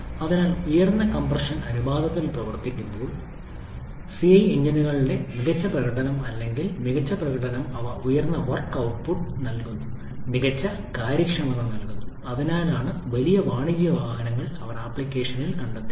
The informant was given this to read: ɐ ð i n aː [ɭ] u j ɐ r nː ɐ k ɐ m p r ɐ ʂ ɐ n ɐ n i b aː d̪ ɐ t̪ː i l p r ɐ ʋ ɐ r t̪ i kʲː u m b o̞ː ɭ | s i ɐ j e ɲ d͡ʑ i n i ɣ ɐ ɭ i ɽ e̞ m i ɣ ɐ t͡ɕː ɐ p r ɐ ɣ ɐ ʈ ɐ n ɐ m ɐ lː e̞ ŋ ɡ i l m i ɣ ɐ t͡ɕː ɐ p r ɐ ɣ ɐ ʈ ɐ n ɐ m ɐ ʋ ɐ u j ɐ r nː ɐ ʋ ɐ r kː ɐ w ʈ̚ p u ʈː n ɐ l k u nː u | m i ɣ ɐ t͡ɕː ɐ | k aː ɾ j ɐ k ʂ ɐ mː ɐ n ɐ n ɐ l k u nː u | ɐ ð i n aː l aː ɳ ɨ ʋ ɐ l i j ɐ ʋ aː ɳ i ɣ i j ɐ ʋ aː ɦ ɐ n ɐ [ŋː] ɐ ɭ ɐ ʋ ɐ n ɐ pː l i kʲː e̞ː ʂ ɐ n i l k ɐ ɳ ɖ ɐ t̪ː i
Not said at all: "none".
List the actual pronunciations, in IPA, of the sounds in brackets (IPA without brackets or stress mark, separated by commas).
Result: l, ŋː